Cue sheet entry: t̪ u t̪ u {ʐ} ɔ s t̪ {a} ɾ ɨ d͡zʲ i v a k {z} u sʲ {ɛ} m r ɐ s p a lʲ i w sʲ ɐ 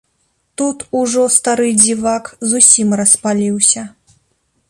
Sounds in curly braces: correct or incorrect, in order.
correct, correct, correct, incorrect

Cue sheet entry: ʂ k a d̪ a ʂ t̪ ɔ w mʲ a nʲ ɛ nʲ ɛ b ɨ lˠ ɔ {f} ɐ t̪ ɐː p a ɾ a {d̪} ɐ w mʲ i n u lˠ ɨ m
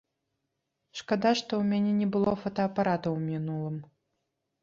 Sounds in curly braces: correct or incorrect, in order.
correct, incorrect

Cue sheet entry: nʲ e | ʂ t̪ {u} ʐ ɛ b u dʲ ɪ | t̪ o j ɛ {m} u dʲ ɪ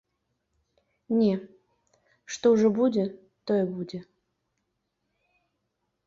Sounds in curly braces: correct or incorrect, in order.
incorrect, incorrect

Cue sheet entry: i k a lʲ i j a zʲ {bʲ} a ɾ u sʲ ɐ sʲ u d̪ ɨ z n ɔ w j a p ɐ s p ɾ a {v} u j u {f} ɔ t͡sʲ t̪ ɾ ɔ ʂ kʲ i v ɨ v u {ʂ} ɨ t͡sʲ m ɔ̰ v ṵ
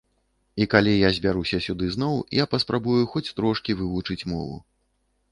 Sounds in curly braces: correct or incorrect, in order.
correct, incorrect, incorrect, incorrect

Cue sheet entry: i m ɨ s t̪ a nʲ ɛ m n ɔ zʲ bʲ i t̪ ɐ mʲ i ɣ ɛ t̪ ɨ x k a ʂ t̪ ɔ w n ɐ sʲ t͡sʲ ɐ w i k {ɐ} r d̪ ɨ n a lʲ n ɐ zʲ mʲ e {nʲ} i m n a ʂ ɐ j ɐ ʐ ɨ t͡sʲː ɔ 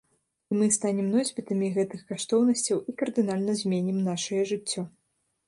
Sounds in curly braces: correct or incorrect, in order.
correct, correct

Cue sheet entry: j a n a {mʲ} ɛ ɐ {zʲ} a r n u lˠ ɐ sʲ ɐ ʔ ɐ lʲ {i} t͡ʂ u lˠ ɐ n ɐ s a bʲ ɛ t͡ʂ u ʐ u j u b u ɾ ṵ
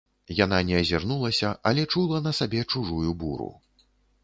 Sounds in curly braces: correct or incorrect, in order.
incorrect, correct, incorrect

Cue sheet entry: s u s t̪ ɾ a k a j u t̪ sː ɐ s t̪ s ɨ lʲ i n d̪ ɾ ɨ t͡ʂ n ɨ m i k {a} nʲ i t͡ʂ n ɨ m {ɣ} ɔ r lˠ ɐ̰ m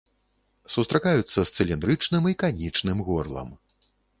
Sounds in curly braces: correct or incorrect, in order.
correct, correct

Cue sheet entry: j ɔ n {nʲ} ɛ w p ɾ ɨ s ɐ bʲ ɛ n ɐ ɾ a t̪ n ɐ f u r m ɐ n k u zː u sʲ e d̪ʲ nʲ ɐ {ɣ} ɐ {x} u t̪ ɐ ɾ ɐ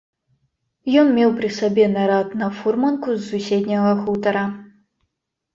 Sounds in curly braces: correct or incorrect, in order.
incorrect, correct, correct

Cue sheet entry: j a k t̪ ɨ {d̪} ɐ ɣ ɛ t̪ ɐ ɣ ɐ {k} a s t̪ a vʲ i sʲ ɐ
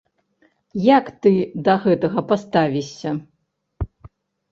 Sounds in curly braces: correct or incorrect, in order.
correct, incorrect

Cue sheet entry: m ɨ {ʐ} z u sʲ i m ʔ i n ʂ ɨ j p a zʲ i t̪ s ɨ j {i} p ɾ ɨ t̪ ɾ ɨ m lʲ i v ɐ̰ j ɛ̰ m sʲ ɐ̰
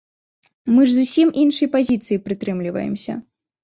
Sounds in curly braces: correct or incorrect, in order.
correct, correct

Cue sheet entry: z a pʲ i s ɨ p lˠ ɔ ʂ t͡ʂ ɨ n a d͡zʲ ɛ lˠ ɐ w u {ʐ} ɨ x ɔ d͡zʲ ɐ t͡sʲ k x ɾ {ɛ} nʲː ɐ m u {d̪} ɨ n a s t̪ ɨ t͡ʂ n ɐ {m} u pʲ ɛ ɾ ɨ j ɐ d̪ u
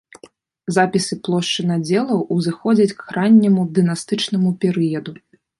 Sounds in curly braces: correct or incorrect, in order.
incorrect, incorrect, correct, correct

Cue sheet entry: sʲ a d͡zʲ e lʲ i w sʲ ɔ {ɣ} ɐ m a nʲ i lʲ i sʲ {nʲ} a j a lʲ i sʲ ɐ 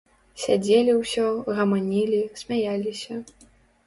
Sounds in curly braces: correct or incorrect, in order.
correct, incorrect

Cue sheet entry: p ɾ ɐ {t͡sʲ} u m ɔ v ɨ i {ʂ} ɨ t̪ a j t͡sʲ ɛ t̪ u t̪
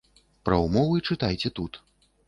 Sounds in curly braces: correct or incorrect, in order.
incorrect, incorrect

